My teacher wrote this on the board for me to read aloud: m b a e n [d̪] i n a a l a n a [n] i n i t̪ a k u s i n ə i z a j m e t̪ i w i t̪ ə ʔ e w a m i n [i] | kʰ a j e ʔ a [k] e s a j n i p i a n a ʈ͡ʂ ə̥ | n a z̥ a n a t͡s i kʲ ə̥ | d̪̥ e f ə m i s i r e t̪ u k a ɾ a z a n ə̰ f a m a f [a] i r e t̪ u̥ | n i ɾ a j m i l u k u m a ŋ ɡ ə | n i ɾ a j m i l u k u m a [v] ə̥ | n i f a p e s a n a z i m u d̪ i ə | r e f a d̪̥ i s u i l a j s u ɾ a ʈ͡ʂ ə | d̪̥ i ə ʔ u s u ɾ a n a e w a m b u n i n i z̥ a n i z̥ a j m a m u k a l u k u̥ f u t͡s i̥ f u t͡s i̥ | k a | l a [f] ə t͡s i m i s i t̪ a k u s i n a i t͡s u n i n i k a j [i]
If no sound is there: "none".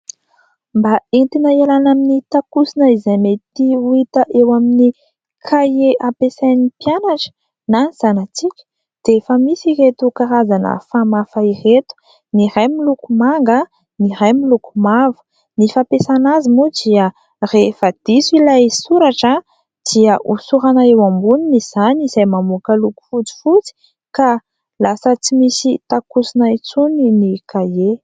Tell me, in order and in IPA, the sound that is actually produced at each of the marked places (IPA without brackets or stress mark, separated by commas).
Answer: t̪, m, i, p, a, v, s, e